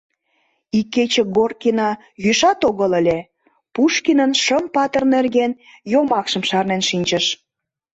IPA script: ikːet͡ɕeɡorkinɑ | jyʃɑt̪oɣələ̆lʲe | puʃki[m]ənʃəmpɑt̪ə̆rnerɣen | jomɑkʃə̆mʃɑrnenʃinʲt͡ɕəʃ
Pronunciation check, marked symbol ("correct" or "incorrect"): incorrect